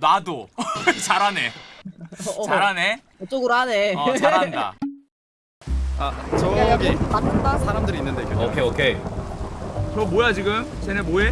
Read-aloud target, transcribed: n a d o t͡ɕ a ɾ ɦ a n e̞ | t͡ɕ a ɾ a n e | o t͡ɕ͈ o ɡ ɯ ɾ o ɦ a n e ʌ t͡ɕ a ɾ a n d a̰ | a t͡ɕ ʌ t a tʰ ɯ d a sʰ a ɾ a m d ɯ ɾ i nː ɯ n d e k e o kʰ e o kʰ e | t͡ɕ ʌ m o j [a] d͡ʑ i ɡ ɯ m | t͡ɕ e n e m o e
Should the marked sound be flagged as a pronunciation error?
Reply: no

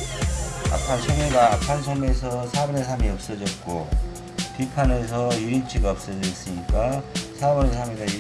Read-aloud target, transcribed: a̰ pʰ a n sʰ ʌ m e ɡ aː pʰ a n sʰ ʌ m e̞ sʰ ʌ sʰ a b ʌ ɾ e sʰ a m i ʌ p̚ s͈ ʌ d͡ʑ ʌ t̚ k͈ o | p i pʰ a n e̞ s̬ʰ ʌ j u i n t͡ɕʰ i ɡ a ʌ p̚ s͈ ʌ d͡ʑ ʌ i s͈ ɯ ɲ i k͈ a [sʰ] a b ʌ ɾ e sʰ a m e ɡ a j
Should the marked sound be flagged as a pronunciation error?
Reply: no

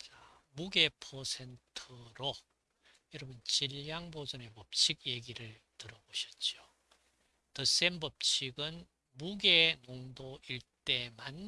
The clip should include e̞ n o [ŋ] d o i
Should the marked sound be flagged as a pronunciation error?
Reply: no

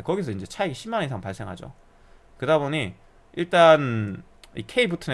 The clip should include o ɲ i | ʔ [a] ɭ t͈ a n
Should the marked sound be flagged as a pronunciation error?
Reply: yes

